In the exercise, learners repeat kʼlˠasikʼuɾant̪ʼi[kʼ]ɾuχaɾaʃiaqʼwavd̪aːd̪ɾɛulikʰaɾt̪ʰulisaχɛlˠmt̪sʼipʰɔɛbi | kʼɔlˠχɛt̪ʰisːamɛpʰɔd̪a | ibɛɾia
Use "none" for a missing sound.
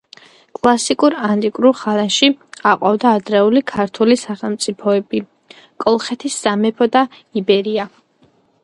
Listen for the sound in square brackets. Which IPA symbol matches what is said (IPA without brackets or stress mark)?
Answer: kʼ